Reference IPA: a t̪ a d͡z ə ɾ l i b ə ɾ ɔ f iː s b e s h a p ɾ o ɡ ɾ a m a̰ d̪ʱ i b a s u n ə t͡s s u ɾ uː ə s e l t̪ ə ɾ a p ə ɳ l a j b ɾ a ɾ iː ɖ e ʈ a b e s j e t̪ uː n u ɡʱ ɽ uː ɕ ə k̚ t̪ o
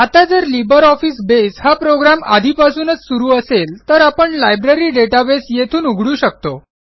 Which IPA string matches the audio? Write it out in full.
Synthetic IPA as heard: a t̪ a d͡z ə ɾ l i b ə ɾ ɔ f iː s b e s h a p ɾ o ɡ ɾ a m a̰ d̪ʱ i p a s uː n ə t͡s s u ɾ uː ə s e l t̪ ə ɾ a p ə ɳ l a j b ɾ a ɾ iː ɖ e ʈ a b e s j e t̪ʰ uː n u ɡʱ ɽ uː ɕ ə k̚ t̪ o